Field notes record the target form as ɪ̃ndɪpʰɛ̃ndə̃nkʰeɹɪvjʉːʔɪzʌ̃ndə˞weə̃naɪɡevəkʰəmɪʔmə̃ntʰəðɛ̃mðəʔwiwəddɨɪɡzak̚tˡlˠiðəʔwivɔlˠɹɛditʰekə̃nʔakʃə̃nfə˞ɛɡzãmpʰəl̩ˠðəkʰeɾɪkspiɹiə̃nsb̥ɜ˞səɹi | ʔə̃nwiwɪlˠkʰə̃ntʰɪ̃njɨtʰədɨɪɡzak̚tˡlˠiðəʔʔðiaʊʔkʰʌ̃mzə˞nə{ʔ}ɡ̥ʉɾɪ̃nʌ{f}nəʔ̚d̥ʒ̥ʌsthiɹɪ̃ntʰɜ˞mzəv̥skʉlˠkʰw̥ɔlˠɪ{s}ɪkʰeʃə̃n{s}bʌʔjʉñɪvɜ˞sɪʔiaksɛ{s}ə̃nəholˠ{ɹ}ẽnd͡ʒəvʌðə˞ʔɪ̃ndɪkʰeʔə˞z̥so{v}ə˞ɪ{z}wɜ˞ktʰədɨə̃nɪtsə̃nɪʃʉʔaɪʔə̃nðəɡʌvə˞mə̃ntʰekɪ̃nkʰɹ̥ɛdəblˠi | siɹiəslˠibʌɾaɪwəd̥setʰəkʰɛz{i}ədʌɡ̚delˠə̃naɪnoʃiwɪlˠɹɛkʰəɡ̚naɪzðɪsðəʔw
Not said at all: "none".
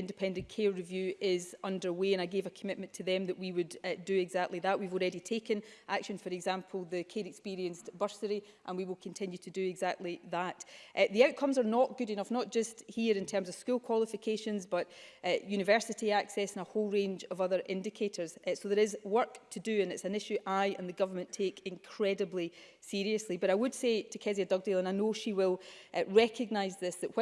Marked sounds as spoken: ʔ, f, f, z, s, ɹ, ð, z, i

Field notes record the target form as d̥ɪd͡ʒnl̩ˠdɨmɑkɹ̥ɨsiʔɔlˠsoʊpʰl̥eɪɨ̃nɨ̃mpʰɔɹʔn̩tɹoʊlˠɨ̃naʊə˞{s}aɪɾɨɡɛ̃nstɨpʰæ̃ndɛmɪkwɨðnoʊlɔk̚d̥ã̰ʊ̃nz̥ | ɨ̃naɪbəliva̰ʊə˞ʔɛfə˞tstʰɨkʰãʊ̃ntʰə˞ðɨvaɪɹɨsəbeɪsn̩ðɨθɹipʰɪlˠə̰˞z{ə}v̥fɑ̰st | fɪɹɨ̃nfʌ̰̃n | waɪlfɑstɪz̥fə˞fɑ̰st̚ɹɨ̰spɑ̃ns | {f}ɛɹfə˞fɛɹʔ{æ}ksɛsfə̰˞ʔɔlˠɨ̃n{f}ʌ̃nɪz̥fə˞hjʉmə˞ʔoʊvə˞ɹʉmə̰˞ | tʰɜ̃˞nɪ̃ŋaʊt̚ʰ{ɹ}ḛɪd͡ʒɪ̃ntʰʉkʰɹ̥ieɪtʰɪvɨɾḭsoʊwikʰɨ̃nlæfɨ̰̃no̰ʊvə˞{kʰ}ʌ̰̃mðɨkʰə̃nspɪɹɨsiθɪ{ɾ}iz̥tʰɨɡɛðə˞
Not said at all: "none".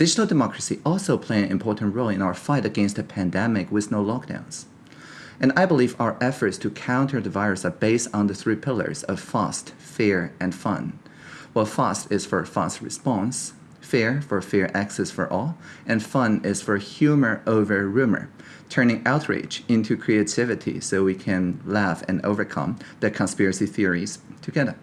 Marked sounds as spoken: f, ʌ, f, æ, f, ɹ, kʰ, ɹ

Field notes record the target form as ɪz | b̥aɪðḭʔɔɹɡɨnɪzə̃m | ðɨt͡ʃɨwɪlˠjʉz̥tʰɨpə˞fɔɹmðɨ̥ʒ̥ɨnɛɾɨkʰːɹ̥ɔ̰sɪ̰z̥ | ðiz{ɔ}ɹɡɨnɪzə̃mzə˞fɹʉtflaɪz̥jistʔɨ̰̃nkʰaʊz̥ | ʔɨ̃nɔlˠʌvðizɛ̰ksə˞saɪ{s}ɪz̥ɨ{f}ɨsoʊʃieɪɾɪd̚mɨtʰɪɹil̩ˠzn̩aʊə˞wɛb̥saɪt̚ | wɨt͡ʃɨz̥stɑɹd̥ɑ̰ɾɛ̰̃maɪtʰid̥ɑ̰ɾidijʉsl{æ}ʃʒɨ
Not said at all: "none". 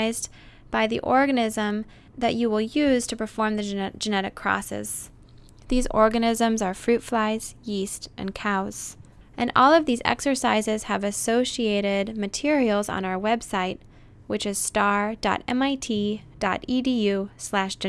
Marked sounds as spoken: ɔ, z, v, æ

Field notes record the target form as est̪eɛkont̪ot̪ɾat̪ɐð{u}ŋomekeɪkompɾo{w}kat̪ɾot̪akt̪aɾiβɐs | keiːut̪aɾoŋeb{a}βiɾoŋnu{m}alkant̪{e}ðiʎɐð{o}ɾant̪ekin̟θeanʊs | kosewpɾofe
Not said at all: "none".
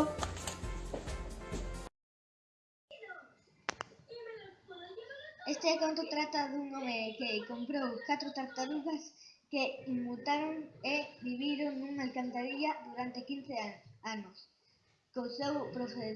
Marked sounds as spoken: u, w, i, ŋ, a, u

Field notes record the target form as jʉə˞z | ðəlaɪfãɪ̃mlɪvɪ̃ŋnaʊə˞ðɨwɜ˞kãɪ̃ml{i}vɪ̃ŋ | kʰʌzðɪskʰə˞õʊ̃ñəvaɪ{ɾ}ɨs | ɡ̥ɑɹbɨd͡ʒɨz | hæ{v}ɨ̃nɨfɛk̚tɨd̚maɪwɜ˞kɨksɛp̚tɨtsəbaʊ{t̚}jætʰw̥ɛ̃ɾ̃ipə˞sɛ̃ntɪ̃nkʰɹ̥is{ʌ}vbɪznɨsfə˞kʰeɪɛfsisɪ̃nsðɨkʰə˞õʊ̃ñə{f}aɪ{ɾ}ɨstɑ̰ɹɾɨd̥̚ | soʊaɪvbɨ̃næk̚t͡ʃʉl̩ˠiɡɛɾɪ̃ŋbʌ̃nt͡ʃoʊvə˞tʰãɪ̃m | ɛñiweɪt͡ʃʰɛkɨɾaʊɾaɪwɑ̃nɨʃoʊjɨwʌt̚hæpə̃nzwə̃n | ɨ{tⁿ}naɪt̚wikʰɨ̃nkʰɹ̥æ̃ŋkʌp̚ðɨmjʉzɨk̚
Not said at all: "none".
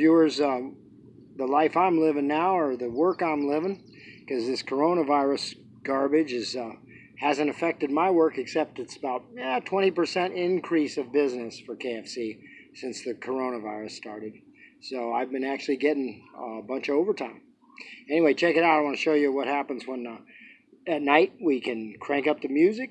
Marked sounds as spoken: ɪ, ɹ, z, t̚, ʌ, v, ɹ, tⁿ

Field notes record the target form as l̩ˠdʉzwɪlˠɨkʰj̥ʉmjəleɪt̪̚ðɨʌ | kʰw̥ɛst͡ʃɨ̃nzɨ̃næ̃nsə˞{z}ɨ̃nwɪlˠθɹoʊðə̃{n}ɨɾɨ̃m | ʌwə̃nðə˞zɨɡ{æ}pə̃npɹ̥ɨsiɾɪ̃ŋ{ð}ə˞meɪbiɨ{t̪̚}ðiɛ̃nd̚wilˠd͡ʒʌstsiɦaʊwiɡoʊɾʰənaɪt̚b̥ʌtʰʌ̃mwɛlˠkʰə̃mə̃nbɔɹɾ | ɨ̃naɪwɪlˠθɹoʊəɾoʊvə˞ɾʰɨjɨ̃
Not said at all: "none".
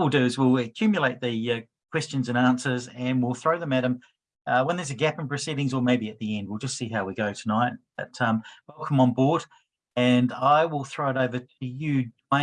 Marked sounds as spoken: z, m, æ, z, t̪̚

